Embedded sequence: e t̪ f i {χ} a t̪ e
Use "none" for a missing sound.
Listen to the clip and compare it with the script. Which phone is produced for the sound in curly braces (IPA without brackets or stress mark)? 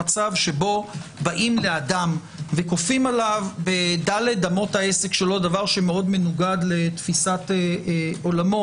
s